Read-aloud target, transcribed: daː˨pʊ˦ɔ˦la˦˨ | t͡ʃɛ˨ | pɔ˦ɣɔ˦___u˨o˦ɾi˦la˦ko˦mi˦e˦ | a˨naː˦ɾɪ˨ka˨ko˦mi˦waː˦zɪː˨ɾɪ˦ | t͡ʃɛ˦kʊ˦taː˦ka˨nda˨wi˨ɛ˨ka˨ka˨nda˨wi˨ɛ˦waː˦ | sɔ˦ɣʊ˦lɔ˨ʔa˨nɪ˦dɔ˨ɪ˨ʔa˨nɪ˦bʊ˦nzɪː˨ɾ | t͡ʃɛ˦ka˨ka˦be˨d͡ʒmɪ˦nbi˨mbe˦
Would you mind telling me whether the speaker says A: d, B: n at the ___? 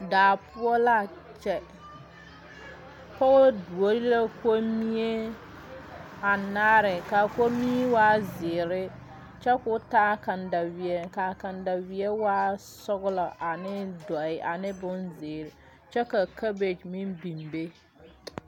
A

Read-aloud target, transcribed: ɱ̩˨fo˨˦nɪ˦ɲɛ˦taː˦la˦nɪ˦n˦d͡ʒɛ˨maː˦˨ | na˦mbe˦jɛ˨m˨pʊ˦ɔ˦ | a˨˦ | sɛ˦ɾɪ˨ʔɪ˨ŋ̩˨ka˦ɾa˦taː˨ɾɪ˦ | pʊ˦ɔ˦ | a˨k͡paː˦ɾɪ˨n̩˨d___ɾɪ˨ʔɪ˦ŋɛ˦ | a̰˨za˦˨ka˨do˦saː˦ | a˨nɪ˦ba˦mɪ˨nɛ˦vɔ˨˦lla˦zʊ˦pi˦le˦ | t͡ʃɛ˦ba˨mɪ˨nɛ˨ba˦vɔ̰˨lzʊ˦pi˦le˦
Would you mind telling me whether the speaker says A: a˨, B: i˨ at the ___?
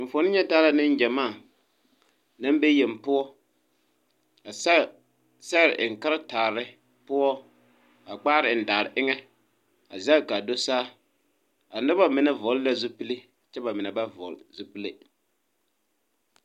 A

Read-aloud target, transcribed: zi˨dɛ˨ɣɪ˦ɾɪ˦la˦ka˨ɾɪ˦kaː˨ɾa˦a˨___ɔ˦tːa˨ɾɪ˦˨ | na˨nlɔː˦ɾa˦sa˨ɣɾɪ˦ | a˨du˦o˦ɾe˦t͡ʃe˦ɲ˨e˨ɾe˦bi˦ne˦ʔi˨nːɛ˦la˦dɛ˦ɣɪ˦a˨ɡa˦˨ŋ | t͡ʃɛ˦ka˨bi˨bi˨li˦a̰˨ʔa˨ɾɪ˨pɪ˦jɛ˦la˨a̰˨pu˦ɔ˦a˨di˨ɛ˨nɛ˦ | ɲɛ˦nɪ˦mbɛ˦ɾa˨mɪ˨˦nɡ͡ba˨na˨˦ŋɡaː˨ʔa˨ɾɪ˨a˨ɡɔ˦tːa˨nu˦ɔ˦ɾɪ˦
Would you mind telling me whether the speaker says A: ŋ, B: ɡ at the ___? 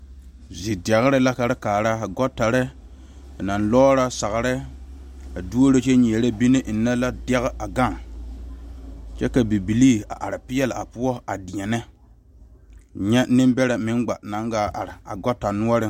B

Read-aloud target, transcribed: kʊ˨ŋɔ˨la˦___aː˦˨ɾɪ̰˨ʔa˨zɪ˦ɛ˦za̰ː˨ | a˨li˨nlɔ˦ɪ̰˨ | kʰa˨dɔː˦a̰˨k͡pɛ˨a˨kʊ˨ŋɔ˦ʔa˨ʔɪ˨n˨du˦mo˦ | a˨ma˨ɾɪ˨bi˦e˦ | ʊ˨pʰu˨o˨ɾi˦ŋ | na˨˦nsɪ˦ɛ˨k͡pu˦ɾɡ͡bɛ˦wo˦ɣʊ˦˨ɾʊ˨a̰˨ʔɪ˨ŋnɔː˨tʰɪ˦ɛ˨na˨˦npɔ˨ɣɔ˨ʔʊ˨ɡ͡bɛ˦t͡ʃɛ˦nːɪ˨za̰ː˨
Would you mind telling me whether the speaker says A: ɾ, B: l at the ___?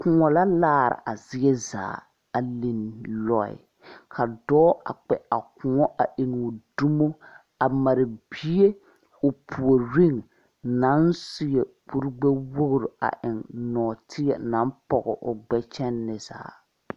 B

